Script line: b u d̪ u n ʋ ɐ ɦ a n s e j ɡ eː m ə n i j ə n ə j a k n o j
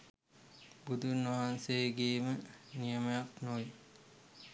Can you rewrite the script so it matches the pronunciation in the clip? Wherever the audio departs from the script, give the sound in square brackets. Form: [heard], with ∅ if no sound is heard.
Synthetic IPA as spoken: b u d̪ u n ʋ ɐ ɦ a n s e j ɡ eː m ə n i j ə [m] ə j a k n o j